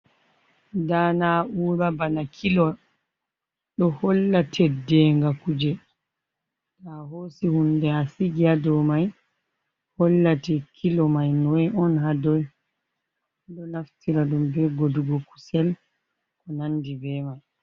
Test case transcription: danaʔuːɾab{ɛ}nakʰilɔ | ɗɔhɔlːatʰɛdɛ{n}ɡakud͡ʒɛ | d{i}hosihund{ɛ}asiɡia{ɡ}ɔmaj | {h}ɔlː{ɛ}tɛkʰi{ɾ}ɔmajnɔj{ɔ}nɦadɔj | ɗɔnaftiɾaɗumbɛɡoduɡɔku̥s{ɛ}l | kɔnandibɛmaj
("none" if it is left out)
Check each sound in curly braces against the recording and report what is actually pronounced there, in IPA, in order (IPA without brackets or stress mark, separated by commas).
a, ŋ, a, ɛ, d, h, a, l, ɔ, ɛ